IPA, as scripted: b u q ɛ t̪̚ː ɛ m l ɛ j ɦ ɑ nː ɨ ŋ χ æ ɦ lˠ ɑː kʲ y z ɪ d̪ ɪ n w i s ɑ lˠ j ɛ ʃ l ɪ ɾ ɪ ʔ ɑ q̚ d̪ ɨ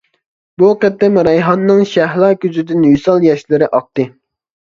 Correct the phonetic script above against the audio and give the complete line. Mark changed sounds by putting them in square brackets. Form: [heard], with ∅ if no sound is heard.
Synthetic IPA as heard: b u q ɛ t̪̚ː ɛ m [ɾ] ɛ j ɦ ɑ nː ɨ ŋ [ʃ] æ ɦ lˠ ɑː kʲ y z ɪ d̪ ɪ n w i s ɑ lˠ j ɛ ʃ l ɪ ɾ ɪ ʔ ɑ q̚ [t̪] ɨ